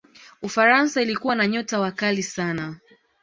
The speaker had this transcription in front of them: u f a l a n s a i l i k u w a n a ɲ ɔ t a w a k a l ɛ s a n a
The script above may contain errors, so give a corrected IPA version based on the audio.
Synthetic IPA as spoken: u f a ɾ a n s a i l i k u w a n a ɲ ɔ t a w a k a l i s a n a